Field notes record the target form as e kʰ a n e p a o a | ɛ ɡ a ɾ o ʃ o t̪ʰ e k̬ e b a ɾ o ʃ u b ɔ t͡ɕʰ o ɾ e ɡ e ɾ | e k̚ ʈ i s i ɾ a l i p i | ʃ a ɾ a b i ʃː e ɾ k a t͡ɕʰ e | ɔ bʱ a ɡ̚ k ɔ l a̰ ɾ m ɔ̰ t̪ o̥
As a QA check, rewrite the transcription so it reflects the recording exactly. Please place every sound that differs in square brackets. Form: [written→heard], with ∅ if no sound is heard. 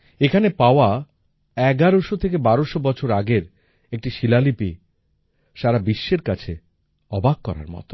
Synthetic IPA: e kʰ a n e p a o a | ɛ ɡ a ɾ o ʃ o t̪ʰ e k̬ e b a ɾ o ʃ [u→o] b ɔ t͡ɕʰ o ɾ [e→a] ɡ e ɾ | e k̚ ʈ i [s→ʃ] i [ɾ→l] a l i p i | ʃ a ɾ a b i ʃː e ɾ k a t͡ɕʰ e | ɔ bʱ a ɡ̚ k ɔ [l→ɾ] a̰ ɾ m ɔ̰ t̪ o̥

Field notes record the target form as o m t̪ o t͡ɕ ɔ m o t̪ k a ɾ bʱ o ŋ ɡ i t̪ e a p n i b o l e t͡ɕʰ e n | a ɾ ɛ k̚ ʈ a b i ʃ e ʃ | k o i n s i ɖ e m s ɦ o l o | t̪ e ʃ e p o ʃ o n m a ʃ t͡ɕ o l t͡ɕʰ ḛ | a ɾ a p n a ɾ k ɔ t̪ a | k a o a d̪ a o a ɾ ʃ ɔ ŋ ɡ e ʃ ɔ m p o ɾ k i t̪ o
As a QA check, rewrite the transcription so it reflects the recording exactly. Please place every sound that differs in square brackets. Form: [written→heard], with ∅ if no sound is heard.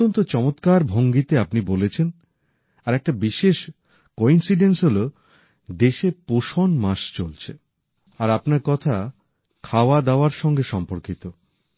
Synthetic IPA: o [m→n] t̪ o t͡ɕ ɔ m o t̪ k a ɾ bʱ o ŋ ɡ i t̪ e a p n i b o l e t͡ɕʰ e n | a ɾ ɛ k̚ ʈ a b i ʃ e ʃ | k o i n s i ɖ e [m→n] s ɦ o l o | [t̪→d̪] e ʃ e p o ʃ o n m a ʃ t͡ɕ o l t͡ɕʰ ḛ | a ɾ a p n a ɾ k ɔ [t̪→t̪ʰ] a | [k→kʰ] a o a d̪ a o a ɾ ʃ ɔ ŋ ɡ e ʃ ɔ m p o ɾ k i t̪ o

